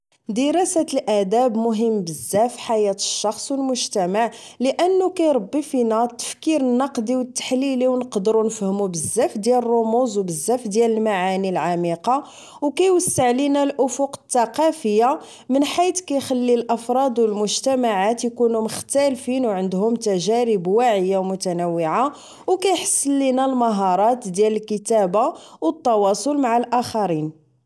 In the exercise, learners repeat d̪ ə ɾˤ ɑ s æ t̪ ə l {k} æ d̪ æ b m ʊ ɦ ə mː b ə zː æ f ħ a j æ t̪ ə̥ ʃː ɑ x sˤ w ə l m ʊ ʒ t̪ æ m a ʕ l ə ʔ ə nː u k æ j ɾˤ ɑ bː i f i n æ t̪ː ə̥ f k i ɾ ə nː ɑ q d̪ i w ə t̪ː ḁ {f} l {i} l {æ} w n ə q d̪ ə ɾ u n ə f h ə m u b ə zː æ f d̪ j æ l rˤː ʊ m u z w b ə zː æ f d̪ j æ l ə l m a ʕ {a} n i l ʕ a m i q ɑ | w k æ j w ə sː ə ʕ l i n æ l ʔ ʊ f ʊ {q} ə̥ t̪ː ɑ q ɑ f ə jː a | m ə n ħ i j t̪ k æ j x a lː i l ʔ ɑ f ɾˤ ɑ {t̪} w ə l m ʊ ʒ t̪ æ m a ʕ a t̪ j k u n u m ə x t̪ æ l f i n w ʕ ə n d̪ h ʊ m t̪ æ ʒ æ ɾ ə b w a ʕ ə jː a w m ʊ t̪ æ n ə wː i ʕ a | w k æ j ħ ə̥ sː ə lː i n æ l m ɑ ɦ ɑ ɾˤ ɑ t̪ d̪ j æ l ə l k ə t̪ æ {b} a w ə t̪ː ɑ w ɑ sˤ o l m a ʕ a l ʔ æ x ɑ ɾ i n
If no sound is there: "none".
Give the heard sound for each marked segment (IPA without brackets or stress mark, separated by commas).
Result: ʔ, ħ, i, i, a, q, d̪, b